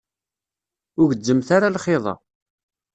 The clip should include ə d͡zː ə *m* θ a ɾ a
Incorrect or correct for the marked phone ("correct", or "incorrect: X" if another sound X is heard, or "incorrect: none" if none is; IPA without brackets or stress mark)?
correct